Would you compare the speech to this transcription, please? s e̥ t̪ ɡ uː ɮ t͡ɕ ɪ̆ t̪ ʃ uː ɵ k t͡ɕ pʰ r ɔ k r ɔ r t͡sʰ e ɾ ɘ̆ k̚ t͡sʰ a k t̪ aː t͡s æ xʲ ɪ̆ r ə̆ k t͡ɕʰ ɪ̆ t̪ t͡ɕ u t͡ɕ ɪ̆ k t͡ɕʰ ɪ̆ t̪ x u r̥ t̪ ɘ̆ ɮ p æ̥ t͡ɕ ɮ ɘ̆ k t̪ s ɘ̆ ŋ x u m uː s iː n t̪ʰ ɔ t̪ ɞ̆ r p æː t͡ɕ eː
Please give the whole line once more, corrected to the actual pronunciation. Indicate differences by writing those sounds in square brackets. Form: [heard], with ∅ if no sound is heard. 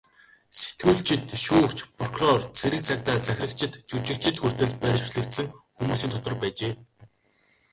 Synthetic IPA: s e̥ t̪ ɡ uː ɮ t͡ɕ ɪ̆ t̪ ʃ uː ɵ k t͡ɕ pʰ r ɔ k r ɔ r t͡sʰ e ɾ ɘ̆ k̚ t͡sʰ a k t̪ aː t͡s æ xʲ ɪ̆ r ə̆ k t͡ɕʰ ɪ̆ t̪ t͡ɕ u t͡ɕ ɪ̆ k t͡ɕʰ ɪ̆ t̪ x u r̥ t̪ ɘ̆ ɮ p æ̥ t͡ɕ ɮ ɘ̆ k t̪ s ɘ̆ ŋ x u m uː s iː n t̪ʰ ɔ t̪ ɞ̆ r p æː t͡ɕ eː